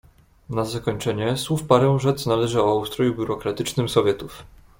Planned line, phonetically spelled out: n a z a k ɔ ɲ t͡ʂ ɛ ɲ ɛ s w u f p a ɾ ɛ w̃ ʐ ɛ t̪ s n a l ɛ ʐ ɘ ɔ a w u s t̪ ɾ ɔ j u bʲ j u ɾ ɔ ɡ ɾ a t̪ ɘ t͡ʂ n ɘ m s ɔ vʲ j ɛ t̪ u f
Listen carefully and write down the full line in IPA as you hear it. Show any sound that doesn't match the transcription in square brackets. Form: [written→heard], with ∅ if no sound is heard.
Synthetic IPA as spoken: n a z a k ɔ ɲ t͡ʂ ɛ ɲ ɛ s w u f p a ɾ ɛ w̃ ʐ ɛ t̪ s n a l ɛ ʐ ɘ ɔ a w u s t̪ ɾ ɔ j u bʲ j u ɾ ɔ [ɡ→k] ɾ a t̪ ɘ t͡ʂ n ɘ m s ɔ vʲ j ɛ t̪ u f